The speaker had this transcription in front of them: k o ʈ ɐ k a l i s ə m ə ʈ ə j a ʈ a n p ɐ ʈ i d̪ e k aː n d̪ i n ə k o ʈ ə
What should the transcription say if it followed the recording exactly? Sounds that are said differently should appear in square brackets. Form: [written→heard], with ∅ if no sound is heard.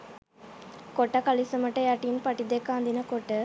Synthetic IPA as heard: k o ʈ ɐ k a l i s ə m ə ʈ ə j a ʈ [a→i] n p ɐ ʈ i d̪ e k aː n d̪ i n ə k o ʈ ə